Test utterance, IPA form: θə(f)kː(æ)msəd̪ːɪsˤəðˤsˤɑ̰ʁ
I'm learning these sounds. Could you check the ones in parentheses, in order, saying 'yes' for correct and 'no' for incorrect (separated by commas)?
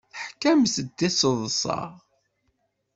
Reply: no, yes